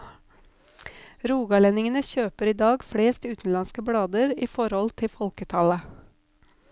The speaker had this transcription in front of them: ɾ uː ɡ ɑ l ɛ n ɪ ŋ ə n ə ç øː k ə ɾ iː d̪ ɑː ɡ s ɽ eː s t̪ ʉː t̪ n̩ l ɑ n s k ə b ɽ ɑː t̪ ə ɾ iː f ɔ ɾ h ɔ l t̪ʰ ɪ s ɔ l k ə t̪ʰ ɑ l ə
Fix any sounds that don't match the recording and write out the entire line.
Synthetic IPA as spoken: ɾ uː ɡ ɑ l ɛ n ɪ ŋ ə n ə ç øː p ə ɾ iː d̪ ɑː ɡ f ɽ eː s t̪ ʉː t̪ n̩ l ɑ n s k ə b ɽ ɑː d̪ ə ɾ iː f ɔ ɾ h ɔ l t̪ʰ ɪ f ɔ l k ə t̪ʰ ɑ l ə